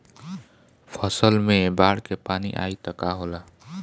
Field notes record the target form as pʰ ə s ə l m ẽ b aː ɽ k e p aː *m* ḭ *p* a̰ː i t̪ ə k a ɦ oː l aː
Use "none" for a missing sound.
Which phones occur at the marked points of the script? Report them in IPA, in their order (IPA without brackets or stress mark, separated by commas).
n, ʔ